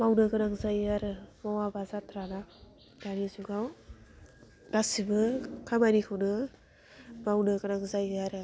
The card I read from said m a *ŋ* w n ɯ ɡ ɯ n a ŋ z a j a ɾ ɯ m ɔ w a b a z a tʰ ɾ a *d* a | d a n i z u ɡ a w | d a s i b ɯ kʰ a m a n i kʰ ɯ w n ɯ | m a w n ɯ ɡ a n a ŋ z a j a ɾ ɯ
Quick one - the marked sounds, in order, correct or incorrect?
incorrect, incorrect

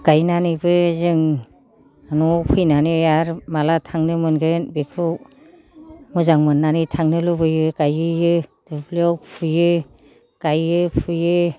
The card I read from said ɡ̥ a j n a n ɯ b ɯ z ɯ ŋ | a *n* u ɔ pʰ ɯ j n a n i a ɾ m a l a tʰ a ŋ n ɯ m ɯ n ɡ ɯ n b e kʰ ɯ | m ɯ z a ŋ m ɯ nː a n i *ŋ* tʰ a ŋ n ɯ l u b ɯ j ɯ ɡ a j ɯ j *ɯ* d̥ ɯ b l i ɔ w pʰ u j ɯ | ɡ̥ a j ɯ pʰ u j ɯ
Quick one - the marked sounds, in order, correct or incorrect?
correct, incorrect, correct

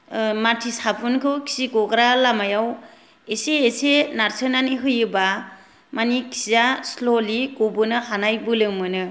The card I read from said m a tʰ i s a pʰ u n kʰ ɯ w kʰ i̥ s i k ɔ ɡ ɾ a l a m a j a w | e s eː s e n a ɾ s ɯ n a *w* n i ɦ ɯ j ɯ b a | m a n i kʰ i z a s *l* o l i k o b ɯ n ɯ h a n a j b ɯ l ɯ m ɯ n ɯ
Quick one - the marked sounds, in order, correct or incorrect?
incorrect, correct

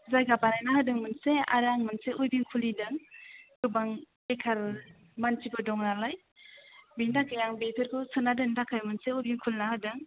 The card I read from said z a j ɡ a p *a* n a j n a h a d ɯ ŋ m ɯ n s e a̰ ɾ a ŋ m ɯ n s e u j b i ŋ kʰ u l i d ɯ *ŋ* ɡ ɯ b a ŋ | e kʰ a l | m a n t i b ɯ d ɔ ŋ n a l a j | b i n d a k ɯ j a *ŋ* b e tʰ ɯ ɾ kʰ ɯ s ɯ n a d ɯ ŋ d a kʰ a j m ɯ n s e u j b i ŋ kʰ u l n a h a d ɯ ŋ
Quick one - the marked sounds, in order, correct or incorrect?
correct, correct, correct

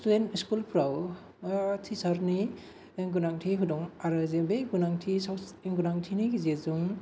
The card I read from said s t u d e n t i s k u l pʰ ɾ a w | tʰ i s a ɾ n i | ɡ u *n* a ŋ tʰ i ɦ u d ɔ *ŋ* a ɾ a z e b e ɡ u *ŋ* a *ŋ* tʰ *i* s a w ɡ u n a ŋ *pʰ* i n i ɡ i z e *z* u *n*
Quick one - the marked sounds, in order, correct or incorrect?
correct, correct, incorrect, correct, correct, incorrect, correct, incorrect

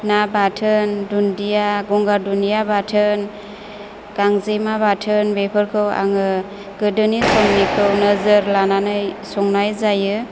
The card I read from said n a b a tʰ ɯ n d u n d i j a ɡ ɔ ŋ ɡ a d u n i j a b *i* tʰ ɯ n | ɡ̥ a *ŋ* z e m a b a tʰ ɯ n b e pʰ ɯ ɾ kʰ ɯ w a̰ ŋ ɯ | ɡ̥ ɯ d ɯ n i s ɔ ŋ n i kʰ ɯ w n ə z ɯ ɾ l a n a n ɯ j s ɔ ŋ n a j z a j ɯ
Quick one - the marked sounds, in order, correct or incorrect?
incorrect, correct

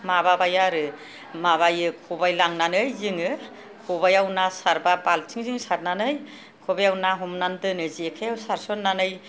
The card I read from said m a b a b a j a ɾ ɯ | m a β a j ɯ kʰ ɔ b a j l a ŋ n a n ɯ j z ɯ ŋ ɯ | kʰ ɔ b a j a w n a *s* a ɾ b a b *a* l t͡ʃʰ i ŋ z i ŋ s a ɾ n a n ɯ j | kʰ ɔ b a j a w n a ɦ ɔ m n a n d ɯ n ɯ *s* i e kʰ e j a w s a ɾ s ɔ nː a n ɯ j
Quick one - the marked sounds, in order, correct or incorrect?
correct, correct, incorrect

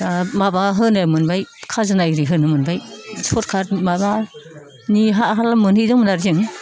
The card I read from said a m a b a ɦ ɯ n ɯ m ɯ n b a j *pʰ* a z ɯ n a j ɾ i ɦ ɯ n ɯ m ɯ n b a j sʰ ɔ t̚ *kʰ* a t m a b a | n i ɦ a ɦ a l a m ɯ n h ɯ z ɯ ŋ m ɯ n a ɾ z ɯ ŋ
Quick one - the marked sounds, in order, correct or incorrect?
incorrect, correct

